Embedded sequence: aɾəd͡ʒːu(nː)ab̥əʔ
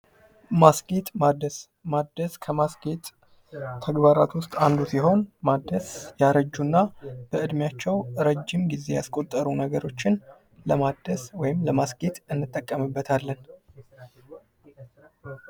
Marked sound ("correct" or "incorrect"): correct